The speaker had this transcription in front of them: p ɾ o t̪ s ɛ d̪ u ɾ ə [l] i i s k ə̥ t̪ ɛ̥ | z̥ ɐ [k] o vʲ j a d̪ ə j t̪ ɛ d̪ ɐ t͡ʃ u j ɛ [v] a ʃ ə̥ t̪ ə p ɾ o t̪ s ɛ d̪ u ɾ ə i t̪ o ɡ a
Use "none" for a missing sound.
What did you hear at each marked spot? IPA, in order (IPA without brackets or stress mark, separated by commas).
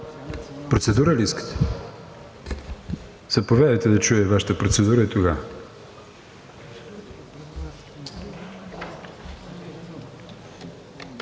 l, p, v